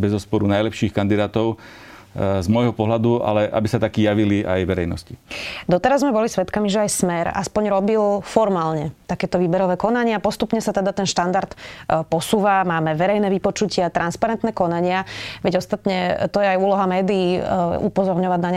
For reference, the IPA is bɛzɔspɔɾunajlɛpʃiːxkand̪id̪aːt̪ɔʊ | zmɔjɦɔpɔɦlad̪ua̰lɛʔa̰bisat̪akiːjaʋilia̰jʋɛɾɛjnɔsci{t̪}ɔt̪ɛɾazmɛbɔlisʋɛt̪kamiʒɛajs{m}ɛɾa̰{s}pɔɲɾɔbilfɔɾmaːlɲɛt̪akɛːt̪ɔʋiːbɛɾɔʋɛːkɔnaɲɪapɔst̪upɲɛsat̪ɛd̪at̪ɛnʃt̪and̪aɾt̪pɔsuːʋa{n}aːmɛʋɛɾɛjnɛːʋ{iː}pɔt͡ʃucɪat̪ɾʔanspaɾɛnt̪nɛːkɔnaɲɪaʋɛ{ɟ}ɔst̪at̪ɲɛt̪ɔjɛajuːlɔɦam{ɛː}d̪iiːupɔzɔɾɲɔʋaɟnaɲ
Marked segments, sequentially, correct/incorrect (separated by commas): incorrect, correct, correct, incorrect, incorrect, correct, correct